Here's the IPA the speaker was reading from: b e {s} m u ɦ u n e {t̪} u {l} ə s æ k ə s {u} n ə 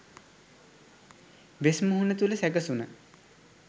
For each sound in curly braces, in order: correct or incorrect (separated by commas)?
correct, correct, correct, correct